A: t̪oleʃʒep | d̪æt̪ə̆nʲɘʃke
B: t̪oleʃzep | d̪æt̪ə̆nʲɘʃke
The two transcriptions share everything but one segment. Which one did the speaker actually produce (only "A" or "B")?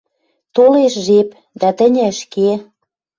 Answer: A